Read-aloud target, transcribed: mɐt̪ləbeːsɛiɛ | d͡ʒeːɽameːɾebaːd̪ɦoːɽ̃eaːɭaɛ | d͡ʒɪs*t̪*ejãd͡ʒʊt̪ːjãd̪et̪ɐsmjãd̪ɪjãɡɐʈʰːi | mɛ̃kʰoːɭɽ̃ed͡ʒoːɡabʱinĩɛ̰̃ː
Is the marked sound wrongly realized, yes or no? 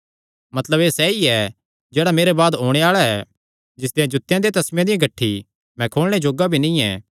yes